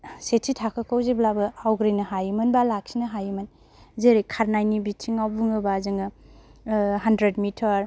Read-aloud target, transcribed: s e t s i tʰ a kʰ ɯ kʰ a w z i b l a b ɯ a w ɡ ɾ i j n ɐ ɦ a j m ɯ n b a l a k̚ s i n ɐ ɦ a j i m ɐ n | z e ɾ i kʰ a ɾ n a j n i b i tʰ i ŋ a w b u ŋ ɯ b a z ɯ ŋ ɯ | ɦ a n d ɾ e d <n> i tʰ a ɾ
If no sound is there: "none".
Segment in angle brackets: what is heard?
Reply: m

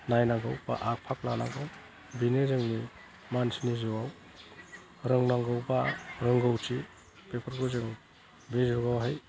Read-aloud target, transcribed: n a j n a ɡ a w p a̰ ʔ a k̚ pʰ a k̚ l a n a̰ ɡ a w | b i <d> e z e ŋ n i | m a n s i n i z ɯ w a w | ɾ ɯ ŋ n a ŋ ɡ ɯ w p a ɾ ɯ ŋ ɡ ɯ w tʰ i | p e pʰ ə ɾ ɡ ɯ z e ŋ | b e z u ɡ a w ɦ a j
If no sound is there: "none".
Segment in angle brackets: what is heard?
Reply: n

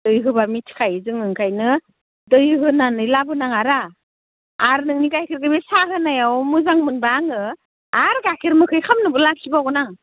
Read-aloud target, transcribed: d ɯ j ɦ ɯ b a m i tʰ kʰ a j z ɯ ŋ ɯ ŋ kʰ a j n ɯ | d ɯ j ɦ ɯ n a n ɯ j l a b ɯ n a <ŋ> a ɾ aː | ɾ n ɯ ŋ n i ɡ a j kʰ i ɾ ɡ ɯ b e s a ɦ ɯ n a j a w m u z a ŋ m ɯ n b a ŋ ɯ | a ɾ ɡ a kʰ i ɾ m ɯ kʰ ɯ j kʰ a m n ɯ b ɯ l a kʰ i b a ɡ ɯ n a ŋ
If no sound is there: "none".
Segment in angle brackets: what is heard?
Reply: ŋ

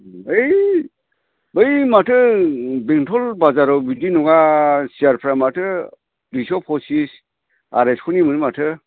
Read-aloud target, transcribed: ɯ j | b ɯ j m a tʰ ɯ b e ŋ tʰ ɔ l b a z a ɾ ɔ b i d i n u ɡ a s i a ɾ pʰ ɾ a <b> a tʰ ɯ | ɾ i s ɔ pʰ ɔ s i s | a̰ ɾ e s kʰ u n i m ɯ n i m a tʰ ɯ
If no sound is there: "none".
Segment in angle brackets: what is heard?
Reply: m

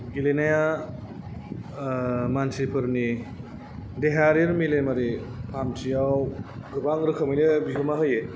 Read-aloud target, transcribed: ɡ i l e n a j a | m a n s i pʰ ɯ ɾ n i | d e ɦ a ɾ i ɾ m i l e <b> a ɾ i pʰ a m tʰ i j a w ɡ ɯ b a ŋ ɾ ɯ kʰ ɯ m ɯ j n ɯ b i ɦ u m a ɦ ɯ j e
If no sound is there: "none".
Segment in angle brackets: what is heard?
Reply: m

